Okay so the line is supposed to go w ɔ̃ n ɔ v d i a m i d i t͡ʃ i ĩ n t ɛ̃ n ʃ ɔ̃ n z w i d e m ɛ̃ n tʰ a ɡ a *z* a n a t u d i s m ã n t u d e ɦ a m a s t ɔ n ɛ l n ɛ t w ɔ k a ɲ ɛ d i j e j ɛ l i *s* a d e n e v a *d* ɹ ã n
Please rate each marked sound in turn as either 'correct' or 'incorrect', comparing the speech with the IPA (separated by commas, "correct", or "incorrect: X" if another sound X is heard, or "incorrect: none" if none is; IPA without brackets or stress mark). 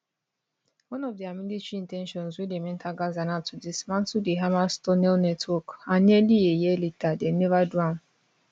correct, incorrect: t, correct